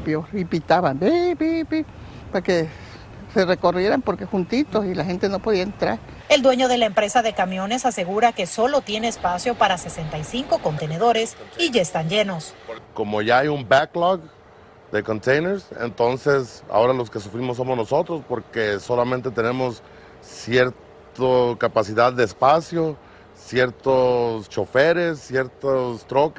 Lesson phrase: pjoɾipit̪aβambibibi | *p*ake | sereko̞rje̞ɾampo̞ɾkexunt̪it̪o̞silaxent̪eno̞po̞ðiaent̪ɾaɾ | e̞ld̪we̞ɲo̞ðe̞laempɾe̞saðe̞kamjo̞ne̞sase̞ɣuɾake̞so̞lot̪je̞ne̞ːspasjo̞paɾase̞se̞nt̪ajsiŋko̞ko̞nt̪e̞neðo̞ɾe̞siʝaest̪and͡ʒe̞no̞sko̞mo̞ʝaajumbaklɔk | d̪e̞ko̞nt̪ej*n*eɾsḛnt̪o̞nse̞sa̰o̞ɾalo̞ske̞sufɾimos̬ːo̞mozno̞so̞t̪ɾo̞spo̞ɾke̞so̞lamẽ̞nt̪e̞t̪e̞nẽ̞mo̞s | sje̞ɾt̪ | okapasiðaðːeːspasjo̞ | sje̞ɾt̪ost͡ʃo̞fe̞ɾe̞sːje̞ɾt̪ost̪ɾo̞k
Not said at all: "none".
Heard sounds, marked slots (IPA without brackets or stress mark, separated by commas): p, n